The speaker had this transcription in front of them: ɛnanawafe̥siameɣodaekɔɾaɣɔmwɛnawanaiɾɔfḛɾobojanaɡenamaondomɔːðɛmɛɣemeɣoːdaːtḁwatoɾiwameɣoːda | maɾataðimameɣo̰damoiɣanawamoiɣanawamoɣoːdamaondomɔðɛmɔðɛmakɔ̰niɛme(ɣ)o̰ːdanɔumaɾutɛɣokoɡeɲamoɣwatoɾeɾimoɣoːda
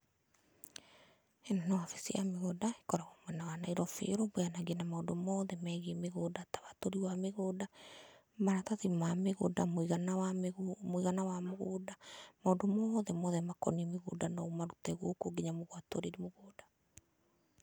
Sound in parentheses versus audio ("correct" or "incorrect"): correct